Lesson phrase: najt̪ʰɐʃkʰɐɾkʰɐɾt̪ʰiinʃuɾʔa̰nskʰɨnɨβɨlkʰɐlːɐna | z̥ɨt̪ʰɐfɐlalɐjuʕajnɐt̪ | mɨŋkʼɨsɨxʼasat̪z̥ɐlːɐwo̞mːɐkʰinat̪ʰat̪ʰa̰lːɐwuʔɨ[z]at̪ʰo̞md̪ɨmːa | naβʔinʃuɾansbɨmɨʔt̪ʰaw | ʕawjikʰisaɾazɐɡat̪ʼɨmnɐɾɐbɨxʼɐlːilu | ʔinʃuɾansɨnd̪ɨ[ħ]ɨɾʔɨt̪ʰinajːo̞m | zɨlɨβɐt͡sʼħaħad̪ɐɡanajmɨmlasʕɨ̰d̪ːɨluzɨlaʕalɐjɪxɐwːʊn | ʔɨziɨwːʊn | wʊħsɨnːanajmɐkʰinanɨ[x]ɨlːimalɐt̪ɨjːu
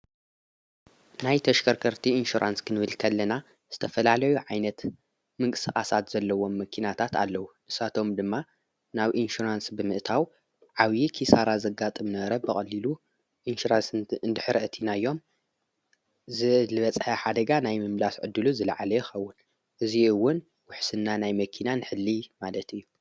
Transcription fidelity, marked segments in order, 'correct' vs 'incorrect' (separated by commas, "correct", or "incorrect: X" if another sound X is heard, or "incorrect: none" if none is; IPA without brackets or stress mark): incorrect: s, correct, incorrect: ħ